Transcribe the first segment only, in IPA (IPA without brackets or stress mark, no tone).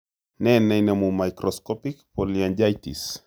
n